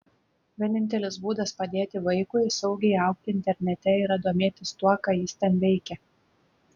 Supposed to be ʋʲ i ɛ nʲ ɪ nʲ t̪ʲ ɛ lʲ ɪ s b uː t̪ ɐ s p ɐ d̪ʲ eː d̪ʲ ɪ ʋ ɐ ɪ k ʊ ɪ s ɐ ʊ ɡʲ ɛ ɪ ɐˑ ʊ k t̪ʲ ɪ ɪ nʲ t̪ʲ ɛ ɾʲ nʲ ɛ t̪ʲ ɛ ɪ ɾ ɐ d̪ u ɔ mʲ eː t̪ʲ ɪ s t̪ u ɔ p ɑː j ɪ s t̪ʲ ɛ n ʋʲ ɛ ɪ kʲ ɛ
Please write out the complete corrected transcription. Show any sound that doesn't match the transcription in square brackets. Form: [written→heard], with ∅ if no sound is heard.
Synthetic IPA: ʋʲ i ɛ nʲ ɪ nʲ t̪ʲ ɛ lʲ ɪ s b uː [t̪→d̪] ɐ s p ɐ d̪ʲ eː [d̪ʲ→t̪ʲ] ɪ ʋ ɐ ɪ k ʊ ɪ s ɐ ʊ ɡʲ ɛ ɪ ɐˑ ʊ k t̪ʲ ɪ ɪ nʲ t̪ʲ ɛ ɾʲ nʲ ɛ t̪ʲ ɛ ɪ ɾ ɐ d̪ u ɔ mʲ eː t̪ʲ ɪ s t̪ u ɔ [p→k] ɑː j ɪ s t̪ʲ ɛ n ʋʲ ɛ ɪ kʲ ɛ

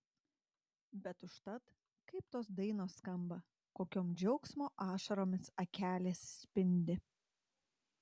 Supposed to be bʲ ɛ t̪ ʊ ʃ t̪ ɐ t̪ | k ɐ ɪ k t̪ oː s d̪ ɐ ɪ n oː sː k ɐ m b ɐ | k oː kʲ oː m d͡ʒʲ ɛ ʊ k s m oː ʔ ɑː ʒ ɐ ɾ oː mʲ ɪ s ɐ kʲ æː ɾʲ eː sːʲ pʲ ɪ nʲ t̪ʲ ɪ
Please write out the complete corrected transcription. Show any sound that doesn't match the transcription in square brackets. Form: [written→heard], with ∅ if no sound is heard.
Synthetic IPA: bʲ ɛ t̪ ʊ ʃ t̪ ɐ t̪ | k ɐ ɪ [k→p] t̪ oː s d̪ ɐ ɪ n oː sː k ɐ m b ɐ | k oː kʲ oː m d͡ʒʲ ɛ ʊ k s m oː ʔ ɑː [ʒ→ʃ] ɐ ɾ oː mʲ ɪ s ɐ kʲ æː [ɾʲ→lʲ] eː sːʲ pʲ ɪ nʲ [t̪ʲ→d̪ʲ] ɪ

